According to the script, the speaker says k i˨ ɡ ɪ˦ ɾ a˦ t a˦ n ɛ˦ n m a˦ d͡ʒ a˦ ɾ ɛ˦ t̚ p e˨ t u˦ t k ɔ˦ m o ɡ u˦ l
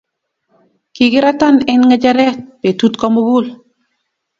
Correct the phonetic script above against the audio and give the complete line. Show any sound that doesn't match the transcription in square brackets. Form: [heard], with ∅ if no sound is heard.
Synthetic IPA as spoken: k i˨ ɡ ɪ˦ ɾ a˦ t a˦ n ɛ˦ n [ŋ] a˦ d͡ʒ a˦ ɾ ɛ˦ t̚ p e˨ t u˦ t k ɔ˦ m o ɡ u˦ l